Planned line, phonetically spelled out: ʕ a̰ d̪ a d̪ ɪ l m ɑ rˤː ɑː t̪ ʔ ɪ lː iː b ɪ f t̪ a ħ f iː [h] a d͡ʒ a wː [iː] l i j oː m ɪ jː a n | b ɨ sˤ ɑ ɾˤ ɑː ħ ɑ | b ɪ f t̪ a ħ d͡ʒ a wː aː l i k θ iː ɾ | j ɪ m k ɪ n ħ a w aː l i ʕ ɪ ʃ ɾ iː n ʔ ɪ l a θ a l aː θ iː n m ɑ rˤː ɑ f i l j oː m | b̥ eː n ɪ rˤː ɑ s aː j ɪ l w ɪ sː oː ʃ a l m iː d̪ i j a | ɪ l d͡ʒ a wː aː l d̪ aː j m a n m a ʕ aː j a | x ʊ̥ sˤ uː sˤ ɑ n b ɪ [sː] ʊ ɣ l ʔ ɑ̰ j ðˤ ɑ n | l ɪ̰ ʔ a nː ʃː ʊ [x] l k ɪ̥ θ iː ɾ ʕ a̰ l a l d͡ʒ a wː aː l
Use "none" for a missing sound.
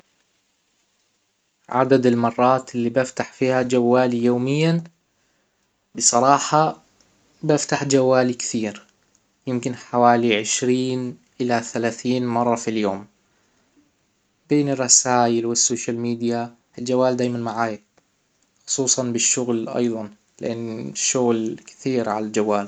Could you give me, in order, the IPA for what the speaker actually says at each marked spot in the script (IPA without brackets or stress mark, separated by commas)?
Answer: h, aː, ʃː, ɣ